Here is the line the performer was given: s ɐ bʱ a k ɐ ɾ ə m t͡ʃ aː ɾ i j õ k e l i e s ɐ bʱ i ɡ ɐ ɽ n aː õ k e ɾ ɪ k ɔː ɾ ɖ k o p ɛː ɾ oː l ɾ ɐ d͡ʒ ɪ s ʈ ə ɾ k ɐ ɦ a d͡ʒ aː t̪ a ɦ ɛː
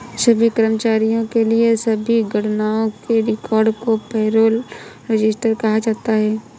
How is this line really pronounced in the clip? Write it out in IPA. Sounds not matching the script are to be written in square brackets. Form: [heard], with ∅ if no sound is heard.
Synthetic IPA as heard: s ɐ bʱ [i] k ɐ ɾ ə m t͡ʃ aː ɾ i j õ k e l i e s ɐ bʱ i ɡ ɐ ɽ n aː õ k e ɾ ɪ k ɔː ɾ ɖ k o p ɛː ɾ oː l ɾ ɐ d͡ʒ ɪ s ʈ ə ɾ k ɐ ɦ a d͡ʒ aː t̪ a ɦ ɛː